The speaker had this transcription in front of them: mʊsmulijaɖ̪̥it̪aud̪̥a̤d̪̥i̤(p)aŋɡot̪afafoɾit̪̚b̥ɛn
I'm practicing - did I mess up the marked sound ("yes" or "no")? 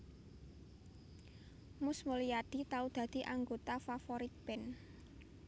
yes